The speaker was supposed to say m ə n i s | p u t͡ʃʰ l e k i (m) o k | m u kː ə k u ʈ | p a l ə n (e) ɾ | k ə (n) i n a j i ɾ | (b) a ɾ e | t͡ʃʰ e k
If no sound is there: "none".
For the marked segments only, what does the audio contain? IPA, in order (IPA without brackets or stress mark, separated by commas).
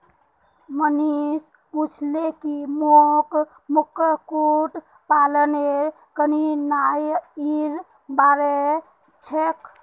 m, e, n, b